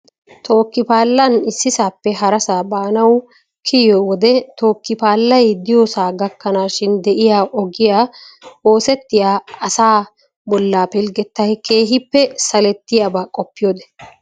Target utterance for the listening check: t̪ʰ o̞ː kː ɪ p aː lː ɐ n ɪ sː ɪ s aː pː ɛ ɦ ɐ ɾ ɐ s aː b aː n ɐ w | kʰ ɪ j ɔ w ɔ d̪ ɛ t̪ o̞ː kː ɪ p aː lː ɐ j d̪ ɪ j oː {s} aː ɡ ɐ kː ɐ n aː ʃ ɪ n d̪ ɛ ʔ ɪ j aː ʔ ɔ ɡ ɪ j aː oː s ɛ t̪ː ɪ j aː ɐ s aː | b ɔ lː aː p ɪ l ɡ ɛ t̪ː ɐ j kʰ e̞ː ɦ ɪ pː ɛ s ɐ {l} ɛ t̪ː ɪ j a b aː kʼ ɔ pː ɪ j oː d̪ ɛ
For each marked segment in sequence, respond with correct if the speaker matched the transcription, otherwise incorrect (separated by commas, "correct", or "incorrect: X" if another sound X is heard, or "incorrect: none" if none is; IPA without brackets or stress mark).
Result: correct, correct